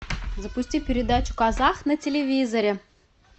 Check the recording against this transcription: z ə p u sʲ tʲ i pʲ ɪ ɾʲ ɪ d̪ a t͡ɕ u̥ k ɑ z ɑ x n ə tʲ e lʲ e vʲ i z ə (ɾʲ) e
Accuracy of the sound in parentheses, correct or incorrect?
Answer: correct